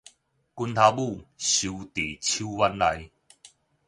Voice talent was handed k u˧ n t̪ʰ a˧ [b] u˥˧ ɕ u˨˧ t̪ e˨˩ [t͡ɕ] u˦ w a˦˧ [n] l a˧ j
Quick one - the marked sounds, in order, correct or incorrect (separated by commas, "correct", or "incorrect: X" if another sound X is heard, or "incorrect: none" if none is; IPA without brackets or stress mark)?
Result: correct, incorrect: t͡ɕʰ, correct